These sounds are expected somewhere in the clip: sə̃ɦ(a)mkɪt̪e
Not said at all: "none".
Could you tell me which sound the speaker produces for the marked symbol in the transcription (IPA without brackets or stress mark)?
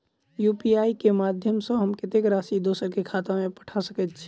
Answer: ə